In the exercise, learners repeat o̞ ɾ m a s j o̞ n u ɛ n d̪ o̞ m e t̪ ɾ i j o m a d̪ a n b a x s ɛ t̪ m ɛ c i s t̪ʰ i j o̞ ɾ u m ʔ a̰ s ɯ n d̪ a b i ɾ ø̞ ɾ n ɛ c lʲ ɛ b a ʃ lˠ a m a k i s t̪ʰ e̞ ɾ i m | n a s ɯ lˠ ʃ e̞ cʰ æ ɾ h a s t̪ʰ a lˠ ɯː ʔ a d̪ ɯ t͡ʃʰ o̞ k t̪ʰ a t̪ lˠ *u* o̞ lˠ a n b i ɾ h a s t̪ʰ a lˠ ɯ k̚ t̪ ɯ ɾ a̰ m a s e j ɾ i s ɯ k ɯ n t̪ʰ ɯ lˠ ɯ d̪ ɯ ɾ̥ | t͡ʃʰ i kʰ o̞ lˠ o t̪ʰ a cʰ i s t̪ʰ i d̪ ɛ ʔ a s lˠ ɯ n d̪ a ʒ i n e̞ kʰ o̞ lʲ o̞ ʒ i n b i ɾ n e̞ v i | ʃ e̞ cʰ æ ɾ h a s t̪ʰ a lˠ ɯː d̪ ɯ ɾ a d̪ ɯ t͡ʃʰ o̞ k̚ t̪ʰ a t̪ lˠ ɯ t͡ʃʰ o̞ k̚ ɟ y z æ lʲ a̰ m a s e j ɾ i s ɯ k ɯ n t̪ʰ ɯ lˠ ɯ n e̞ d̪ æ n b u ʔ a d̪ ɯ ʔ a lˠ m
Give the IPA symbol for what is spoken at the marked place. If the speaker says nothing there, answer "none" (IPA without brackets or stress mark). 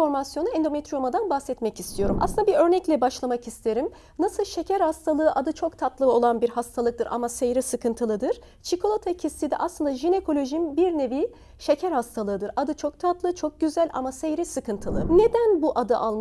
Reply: ɯ